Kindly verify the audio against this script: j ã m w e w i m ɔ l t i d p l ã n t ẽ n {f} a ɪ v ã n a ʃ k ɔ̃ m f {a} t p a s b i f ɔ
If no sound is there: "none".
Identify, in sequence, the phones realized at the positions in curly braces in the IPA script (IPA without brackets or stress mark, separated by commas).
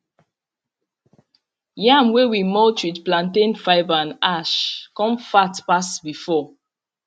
f, a